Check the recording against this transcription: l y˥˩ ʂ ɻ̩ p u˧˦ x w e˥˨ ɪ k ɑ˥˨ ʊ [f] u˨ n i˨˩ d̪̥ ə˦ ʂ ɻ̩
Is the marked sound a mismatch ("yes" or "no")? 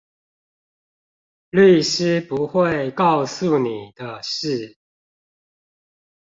yes